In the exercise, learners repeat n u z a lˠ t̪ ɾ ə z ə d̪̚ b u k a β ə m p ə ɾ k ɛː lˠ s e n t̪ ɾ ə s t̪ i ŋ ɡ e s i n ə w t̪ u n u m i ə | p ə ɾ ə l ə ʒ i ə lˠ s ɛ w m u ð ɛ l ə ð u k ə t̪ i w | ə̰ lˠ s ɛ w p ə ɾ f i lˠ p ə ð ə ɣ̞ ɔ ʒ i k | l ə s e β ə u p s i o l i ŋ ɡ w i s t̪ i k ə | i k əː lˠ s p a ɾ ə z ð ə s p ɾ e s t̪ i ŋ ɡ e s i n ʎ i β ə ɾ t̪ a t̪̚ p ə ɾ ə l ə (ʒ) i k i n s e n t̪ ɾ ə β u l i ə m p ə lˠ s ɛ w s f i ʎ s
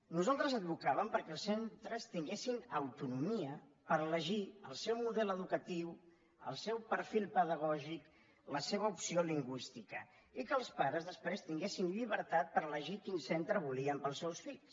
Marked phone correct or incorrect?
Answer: correct